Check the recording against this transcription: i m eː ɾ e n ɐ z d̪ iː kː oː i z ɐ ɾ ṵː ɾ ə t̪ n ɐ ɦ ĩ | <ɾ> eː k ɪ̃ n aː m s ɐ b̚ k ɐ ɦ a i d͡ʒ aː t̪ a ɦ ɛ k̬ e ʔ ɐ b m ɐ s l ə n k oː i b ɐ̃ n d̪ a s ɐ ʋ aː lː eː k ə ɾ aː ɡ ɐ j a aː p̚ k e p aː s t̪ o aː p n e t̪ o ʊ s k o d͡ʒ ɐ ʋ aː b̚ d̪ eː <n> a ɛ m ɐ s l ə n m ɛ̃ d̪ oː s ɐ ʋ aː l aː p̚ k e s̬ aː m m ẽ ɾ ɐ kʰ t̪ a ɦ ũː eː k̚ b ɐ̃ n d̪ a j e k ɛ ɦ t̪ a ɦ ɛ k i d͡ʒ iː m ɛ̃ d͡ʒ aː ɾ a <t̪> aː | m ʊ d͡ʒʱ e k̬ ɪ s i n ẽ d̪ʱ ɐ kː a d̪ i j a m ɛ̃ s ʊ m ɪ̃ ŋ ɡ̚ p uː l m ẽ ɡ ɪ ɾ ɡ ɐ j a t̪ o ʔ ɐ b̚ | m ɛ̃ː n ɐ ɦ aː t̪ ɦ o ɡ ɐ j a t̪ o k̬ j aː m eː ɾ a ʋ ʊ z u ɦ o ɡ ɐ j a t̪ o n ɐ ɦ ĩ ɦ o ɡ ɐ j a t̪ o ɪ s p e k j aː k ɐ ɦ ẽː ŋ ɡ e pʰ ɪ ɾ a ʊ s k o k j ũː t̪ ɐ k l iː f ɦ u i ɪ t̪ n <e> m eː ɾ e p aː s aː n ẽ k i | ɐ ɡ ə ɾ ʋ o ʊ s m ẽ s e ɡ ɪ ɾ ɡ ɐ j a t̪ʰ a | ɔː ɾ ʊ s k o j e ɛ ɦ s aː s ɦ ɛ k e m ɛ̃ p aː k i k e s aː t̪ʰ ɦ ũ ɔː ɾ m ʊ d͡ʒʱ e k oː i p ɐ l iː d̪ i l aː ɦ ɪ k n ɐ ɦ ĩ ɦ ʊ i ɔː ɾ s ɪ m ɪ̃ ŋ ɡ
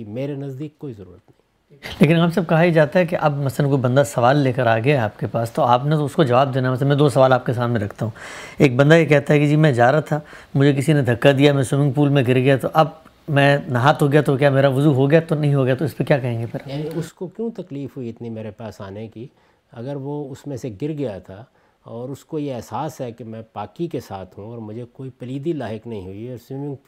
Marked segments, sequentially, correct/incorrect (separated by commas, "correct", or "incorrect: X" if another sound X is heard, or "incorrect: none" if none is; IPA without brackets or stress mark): incorrect: l, correct, incorrect: t̪ʰ, incorrect: i